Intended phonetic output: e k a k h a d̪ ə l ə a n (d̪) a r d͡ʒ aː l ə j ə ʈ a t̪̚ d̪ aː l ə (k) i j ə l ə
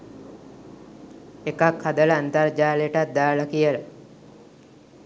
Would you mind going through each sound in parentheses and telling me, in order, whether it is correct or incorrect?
incorrect, correct

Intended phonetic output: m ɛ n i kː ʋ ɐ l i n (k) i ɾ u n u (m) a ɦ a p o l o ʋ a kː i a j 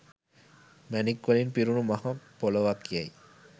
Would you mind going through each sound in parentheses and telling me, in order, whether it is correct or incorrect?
incorrect, correct

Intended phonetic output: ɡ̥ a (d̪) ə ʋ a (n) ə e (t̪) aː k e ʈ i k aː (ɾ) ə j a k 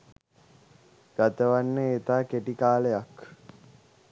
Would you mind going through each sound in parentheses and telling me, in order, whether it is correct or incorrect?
incorrect, incorrect, correct, incorrect

